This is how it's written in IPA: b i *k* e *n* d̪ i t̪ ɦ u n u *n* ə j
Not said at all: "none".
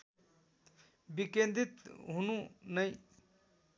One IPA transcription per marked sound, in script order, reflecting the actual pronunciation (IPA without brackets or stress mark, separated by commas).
k, n, n